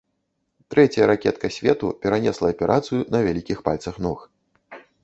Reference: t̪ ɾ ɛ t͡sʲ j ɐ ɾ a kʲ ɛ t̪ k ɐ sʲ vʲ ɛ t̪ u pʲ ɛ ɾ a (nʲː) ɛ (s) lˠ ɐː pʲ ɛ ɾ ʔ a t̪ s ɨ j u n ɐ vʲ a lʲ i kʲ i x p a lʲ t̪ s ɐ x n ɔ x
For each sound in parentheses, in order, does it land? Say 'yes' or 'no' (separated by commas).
no, yes